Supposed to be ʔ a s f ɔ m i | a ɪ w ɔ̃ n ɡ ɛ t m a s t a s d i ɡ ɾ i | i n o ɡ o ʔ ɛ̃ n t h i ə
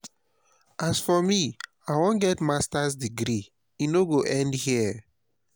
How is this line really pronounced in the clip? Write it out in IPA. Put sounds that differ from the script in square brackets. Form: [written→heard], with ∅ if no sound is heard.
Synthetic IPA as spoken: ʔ a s f ɔ m i | a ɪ w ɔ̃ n ɡ ɛ t m a s t a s d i ɡ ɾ i | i n o ɡ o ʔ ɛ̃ n [t→d] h i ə